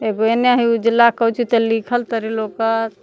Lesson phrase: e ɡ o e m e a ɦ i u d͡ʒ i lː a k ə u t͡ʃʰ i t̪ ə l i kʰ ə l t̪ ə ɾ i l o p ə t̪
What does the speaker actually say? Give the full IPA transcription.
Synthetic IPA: e ɡ o e n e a ɦ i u d͡ʒ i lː a k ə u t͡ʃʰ i t̪ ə l i kʰ ə l t̪ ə ɾ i l o k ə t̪